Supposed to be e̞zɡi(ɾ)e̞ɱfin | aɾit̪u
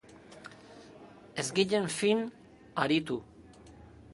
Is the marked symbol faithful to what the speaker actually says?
no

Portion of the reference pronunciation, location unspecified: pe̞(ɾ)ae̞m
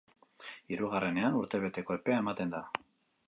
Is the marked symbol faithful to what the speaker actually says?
no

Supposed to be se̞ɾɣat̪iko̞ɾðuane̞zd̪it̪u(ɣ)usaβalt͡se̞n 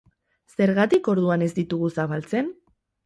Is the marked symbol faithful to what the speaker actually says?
yes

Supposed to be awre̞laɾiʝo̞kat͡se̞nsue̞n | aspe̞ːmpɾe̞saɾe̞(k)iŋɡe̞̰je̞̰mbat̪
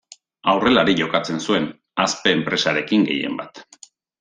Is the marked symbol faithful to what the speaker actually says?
yes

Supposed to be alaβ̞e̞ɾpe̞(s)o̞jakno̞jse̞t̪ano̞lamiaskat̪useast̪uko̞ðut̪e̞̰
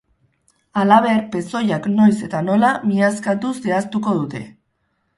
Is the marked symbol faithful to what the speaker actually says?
yes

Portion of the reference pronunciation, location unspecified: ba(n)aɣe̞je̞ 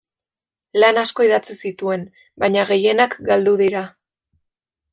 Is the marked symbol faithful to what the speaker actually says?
no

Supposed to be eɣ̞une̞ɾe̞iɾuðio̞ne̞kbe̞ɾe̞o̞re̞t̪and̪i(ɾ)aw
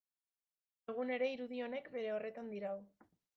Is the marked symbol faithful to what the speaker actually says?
yes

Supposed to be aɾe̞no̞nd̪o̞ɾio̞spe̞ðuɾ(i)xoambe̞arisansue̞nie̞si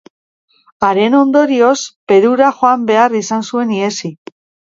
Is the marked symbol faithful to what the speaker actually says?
no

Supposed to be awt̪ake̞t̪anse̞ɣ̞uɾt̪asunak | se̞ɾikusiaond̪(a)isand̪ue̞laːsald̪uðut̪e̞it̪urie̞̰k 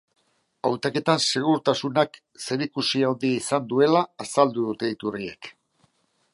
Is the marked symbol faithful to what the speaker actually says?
no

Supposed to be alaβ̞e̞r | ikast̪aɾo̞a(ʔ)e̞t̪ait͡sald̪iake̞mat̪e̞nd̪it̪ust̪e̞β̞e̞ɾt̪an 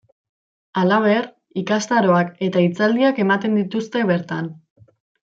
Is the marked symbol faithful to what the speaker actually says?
no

